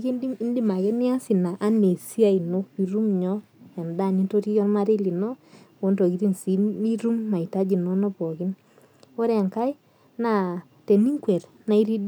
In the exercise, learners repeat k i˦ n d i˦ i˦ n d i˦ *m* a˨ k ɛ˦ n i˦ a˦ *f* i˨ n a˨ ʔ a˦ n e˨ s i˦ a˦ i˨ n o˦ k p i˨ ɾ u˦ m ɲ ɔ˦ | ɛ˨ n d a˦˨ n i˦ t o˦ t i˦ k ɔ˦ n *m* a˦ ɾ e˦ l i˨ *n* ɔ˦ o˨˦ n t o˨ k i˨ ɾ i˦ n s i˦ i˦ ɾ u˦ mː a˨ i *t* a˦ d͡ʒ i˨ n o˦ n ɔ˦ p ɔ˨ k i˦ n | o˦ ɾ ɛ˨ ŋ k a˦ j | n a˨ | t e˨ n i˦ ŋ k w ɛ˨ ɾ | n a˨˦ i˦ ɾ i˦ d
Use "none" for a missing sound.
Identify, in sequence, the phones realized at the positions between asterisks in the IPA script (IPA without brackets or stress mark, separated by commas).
m, s, m, n, t